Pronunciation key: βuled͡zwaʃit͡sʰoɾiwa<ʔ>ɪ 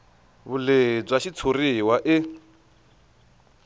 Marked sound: correct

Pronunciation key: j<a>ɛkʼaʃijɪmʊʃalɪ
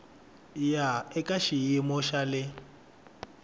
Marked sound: correct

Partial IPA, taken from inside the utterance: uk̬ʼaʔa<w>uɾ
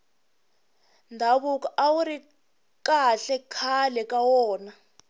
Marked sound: correct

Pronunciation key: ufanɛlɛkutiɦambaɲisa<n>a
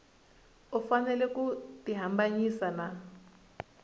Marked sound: correct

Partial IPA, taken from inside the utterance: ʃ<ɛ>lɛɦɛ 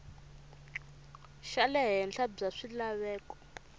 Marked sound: incorrect: a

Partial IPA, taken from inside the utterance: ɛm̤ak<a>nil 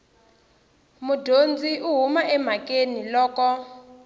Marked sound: incorrect: e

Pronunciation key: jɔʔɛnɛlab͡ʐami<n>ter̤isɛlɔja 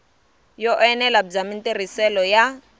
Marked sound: correct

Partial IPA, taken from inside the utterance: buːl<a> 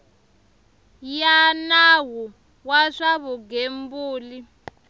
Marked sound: incorrect: i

